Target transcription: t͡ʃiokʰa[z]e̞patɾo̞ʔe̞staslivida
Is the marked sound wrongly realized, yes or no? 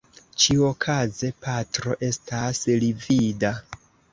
no